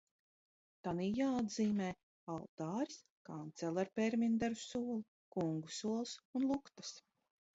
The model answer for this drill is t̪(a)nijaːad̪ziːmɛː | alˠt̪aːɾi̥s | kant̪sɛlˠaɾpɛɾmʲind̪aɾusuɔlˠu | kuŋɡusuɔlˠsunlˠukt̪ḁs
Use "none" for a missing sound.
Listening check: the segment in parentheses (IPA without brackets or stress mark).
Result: a